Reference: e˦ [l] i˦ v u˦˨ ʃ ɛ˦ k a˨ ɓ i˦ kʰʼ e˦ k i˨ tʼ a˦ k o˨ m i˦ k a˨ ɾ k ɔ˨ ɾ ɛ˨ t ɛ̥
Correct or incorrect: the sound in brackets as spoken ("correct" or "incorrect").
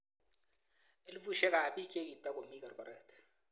correct